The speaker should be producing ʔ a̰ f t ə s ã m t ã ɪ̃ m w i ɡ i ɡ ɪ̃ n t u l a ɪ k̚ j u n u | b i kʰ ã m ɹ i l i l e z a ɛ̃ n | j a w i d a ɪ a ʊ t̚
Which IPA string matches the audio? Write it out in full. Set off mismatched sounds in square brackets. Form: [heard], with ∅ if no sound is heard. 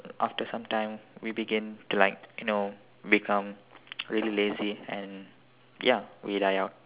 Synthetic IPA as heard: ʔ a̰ f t ə s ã m t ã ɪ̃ m w i [b] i ɡ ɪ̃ n t u l a ɪ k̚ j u n [o] | b i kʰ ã m ɹ i l i l e z [i] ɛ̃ n | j a w i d a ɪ a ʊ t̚